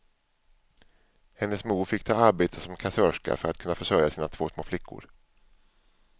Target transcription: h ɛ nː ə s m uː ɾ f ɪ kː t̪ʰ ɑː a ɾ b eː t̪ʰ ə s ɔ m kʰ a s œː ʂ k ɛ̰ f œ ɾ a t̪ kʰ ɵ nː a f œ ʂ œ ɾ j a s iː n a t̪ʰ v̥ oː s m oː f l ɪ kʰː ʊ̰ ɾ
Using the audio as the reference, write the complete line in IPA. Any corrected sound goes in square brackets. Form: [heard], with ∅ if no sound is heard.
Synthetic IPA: h ɛ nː ə s m uː ɾ f ɪ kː t̪ʰ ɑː a ɾ b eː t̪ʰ ə s ɔ m kʰ a s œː ʂ k [a̰] f œ ɾ a t̪ kʰ ɵ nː a f œ ʂ œ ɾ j a s iː n a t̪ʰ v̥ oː s m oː f l ɪ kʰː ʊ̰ ɾ